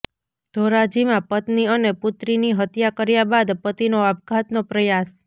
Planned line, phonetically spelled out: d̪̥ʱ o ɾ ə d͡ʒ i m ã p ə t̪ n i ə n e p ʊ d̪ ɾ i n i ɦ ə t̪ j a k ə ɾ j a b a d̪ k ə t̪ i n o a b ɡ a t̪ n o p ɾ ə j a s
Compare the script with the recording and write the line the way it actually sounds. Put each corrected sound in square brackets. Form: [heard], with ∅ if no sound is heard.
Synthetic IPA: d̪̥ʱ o ɾ [a] d͡ʒ i m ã p ə t̪ n i ə n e p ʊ [t̪] ɾ i n i ɦ ə t̪ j a k ə ɾ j a b a d̪ [p] ə t̪ i n o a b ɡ a t̪ n o p ɾ ə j a s